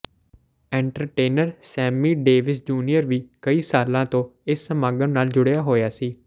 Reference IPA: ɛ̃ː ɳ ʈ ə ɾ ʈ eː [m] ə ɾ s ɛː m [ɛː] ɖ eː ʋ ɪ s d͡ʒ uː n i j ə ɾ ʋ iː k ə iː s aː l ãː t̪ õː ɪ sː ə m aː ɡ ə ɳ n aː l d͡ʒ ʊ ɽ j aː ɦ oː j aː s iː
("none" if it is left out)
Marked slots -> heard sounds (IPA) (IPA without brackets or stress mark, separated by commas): n, iː